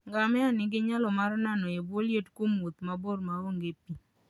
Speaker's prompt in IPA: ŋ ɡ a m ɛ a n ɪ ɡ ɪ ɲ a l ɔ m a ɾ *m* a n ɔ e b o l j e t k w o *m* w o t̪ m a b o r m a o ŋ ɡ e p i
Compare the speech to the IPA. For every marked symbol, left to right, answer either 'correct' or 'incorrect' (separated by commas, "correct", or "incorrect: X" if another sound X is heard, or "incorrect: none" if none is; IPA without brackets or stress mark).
incorrect: n, correct